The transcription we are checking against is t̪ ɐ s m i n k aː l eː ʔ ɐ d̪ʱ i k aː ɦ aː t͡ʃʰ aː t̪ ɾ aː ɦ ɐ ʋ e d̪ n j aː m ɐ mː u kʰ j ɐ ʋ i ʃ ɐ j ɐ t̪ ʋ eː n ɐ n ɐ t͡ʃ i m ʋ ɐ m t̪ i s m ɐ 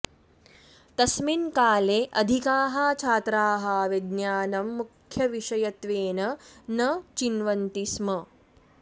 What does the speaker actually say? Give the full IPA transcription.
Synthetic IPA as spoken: t̪ ɐ s m i n k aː l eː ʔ ɐ d̪ʱ i k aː ɦ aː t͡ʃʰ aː t̪ ɾ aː ɦ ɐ ʋ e d̪ n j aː n ɐ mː u kʰ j ɐ ʋ i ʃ ɐ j ɐ t̪ ʋ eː n ɐ n ɐ t͡ʃ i n ʋ ɐ n t̪ i s m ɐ